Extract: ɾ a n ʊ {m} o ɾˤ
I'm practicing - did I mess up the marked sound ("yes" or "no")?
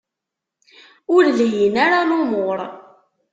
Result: no